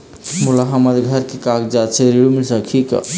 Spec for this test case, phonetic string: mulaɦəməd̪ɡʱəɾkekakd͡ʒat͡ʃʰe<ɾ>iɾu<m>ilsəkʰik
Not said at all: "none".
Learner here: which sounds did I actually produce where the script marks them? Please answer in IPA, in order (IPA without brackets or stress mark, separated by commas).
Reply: ɾ, m